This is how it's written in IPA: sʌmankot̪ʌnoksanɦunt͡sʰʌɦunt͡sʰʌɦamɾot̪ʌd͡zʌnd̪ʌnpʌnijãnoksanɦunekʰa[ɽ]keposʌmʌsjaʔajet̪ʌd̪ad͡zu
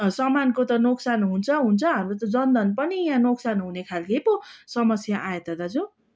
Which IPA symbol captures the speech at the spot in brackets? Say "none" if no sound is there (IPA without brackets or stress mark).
l